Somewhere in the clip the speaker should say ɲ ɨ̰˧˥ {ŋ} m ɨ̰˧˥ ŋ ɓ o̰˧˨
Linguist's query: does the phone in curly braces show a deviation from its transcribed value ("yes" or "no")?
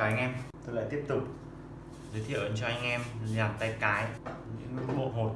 no